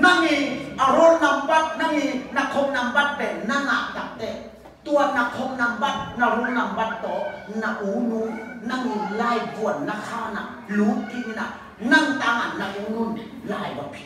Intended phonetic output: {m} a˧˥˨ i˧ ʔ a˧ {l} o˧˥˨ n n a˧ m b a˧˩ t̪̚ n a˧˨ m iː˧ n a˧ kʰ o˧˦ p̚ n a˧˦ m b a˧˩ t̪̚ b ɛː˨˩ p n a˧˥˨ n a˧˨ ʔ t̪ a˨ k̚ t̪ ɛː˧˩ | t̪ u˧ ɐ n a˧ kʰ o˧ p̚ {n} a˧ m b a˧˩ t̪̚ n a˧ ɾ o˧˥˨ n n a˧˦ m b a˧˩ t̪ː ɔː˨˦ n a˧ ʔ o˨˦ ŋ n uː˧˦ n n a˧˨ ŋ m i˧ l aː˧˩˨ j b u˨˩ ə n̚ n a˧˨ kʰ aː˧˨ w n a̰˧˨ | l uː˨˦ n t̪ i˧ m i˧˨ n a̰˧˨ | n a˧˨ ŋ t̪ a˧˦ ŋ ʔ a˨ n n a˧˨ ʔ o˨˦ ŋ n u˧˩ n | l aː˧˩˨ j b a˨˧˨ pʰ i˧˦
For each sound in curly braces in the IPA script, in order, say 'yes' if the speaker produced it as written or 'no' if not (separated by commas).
no, no, yes